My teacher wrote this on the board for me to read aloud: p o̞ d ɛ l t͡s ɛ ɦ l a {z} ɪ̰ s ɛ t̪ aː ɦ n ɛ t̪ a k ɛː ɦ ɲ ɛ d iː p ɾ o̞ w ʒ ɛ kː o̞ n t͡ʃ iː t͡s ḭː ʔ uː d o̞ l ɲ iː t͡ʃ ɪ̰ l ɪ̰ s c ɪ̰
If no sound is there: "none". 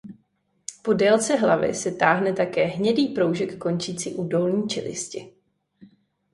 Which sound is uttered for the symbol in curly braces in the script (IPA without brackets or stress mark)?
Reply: v